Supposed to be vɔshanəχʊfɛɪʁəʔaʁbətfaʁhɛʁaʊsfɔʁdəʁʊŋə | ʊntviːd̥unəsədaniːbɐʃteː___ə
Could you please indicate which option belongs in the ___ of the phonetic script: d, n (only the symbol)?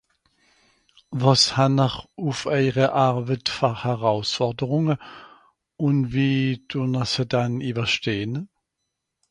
n